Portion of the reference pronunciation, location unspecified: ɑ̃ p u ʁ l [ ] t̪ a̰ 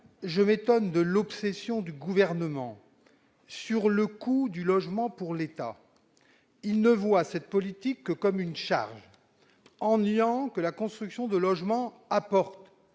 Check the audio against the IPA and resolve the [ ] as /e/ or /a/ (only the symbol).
e